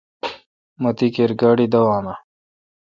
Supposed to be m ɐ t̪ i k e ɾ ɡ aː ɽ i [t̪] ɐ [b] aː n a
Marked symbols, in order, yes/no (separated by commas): no, no